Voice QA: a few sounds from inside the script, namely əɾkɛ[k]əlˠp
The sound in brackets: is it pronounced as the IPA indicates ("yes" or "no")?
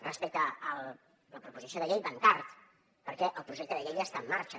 no